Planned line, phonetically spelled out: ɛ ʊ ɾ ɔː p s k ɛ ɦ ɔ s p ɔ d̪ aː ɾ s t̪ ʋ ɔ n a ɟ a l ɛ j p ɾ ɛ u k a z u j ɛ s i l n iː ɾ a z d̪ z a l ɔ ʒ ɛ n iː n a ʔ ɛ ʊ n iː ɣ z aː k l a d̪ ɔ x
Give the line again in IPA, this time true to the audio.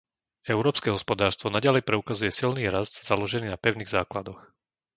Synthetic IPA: ɛ ʊ ɾ ɔː p s k ɛ ɦ ɔ s p ɔ d̪ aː ɾ s t̪ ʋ ɔ n a ɟ a l ɛ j p ɾ ɛ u k a z u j ɛ s i l n iː ɾ a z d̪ z a l ɔ ʒ ɛ n iː n a p ɛ ʊ n iː ɣ z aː k l a d̪ ɔ x